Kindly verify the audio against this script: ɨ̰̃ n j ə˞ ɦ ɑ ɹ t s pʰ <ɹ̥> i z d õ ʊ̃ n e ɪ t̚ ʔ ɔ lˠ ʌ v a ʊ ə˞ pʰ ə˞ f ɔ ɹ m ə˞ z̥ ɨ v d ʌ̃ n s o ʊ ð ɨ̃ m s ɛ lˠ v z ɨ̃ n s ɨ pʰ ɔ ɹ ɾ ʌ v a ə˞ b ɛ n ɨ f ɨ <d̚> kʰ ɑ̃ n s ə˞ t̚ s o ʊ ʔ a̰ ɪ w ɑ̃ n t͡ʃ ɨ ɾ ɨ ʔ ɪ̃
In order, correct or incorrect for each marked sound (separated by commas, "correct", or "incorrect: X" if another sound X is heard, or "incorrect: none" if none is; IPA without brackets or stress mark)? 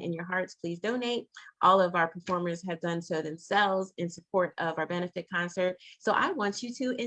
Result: incorrect: l̥, incorrect: t̚